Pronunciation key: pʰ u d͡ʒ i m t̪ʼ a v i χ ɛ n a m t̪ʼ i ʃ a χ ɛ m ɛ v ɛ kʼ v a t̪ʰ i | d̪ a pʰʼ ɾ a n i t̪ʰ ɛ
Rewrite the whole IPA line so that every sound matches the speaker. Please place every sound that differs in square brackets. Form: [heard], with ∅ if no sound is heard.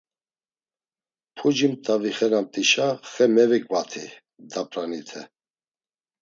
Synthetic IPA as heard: pʰ u d͡ʒ i m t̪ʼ a v i χ ɛ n a m t̪ʼ i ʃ a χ ɛ m ɛ v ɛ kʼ v a t̪ʰ i | d̪ a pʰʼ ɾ a n i t̪ʰ ɛ